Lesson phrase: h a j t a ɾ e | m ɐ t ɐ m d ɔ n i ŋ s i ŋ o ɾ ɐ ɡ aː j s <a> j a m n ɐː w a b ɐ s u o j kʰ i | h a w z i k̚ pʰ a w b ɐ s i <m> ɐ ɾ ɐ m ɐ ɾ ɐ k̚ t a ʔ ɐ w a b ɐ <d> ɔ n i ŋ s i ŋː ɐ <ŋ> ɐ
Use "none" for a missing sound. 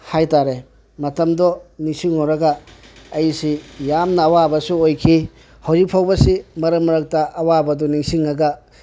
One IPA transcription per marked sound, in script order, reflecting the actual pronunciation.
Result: i, m, d, ɡ

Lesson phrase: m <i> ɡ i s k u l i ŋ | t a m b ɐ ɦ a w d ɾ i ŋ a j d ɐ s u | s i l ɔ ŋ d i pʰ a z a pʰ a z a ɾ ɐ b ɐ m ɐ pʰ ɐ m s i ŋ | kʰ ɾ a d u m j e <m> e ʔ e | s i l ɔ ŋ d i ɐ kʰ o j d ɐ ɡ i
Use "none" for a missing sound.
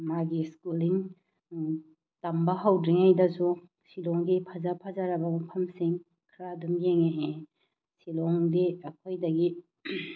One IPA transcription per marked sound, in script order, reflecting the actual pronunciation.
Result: a, ŋ

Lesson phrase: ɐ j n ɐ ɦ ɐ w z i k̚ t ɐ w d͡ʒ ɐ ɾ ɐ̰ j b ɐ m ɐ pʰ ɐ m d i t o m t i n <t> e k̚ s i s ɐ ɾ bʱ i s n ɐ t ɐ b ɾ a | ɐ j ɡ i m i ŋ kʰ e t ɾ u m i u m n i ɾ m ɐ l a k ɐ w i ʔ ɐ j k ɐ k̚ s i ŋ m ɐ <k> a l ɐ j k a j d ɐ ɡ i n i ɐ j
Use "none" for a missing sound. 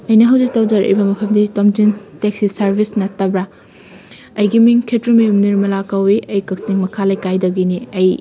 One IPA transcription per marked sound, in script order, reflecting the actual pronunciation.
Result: t, kʰ

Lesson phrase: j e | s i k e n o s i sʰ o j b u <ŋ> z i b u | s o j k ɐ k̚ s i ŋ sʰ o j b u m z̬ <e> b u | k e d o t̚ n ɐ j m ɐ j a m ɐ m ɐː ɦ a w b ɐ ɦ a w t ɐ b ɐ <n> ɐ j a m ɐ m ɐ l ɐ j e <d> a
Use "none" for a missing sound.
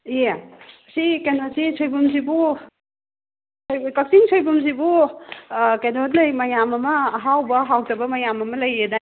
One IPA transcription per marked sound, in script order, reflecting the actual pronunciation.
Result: m, i, m, d

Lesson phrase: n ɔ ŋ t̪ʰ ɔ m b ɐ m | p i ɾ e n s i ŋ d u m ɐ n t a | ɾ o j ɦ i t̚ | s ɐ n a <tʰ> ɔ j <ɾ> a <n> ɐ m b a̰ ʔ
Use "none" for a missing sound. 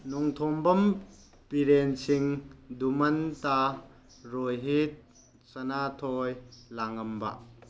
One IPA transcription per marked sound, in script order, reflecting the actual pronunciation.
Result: tʰ, l, ŋ

